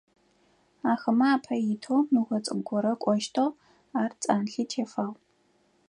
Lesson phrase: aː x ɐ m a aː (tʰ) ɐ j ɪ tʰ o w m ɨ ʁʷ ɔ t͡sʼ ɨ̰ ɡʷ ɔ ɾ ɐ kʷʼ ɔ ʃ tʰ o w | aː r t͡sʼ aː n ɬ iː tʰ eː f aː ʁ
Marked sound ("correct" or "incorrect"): incorrect